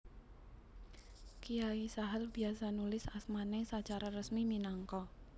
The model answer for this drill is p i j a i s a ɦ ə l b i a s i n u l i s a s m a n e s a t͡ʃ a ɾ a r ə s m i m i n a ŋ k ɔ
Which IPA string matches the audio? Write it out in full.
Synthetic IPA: k i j a i s a ɦ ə l b i a s a n u l ɪ s a s m a n e s a t͡ʃ a ɾ a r ə s m i m i n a ŋ k ɔ